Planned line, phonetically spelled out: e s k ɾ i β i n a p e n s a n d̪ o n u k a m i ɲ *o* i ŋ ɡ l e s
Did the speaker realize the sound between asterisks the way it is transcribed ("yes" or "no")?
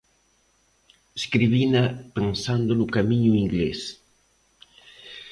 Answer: no